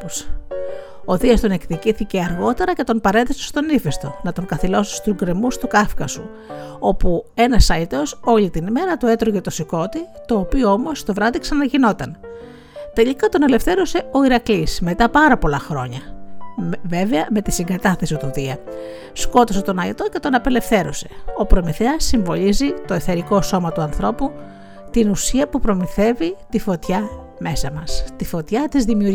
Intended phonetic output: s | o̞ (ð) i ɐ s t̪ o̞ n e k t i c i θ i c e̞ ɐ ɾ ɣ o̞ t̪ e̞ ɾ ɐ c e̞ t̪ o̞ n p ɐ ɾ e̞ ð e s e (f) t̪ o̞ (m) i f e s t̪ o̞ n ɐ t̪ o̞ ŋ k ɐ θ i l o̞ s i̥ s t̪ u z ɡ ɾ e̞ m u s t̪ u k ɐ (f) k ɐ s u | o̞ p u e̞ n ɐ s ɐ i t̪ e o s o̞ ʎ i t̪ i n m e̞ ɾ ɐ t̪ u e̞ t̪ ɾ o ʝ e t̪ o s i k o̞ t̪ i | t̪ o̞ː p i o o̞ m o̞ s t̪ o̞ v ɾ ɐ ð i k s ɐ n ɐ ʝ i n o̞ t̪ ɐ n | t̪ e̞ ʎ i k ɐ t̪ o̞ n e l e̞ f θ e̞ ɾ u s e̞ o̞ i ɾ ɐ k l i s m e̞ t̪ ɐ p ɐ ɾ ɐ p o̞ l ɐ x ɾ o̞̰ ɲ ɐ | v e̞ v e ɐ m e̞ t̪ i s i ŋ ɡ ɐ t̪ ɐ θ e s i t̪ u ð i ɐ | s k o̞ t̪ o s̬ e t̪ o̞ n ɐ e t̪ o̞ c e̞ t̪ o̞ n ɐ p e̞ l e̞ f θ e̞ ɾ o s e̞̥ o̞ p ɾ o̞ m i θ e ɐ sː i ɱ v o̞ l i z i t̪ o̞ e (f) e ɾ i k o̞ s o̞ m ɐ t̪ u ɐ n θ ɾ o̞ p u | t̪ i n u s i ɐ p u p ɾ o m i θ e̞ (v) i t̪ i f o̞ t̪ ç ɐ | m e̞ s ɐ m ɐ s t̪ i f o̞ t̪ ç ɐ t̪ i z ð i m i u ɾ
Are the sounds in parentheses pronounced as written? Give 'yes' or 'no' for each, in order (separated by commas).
yes, no, no, yes, no, yes